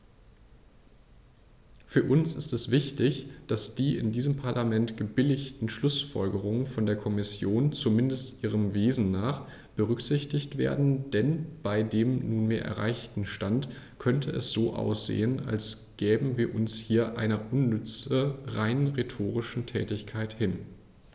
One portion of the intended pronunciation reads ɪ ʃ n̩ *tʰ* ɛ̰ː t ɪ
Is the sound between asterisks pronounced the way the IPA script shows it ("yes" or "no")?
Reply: yes